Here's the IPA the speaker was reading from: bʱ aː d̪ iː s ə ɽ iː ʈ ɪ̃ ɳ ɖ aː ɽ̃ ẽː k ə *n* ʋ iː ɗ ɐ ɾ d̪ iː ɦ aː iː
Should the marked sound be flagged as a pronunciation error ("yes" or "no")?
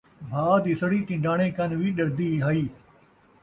no